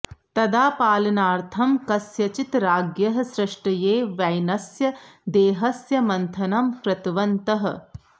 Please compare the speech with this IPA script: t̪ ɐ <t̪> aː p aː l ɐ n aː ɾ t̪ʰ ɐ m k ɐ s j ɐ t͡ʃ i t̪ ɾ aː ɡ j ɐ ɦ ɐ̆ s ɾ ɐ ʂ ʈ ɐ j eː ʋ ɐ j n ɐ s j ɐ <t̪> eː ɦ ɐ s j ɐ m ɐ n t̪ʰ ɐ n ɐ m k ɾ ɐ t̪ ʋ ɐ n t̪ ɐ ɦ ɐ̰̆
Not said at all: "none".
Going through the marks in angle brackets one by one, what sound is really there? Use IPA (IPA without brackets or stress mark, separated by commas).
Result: d̪, d̪